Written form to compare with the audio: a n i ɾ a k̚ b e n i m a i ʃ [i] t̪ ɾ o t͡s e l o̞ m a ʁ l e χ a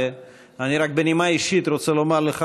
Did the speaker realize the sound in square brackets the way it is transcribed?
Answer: yes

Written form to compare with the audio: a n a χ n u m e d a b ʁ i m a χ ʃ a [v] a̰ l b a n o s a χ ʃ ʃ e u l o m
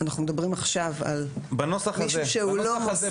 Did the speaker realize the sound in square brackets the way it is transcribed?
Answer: yes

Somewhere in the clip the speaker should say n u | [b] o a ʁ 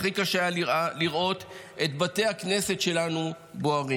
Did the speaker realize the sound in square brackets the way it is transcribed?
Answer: yes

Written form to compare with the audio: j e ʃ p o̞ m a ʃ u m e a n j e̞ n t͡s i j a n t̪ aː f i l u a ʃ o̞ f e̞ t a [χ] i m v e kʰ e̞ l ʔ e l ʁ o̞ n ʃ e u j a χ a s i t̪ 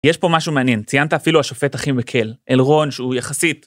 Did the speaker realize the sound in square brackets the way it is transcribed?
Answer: yes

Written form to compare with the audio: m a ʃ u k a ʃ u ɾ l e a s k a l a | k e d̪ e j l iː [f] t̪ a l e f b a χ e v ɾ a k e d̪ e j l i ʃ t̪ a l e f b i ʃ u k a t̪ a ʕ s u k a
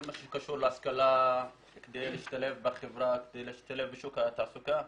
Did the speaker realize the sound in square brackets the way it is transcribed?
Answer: no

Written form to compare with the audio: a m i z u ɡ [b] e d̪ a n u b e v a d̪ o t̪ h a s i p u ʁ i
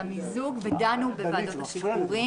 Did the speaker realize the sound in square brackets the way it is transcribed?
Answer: no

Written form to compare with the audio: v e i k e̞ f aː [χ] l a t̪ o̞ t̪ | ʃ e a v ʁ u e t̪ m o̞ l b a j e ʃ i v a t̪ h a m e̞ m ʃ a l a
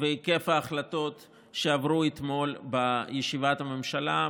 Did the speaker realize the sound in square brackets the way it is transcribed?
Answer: yes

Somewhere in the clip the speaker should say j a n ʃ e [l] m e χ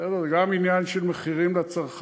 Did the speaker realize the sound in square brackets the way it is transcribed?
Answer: yes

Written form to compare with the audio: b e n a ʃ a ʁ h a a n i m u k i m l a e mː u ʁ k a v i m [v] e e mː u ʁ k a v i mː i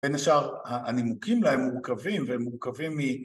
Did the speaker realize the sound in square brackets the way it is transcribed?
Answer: yes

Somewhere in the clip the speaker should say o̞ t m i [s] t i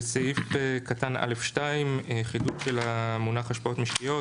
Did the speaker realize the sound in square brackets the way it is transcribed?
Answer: no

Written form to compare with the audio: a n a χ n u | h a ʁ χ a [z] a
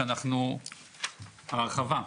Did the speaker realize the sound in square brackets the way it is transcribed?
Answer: no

